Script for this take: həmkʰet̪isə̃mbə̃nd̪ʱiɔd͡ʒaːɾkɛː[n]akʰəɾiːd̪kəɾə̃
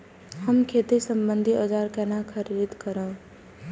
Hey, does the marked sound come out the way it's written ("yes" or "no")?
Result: yes